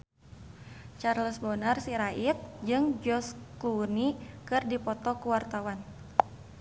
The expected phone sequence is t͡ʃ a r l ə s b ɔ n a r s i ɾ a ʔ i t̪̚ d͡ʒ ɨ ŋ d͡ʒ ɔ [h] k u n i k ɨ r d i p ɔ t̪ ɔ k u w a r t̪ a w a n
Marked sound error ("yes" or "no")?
yes